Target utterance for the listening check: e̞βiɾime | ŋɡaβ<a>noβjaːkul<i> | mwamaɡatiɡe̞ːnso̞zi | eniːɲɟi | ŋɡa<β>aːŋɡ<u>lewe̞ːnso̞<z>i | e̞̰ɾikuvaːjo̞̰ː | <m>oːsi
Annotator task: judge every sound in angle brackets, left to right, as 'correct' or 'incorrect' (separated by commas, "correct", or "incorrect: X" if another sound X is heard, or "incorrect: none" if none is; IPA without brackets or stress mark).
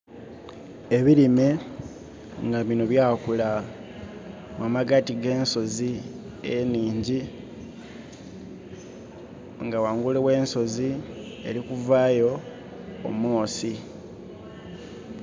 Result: incorrect: i, incorrect: a, incorrect: w, correct, correct, correct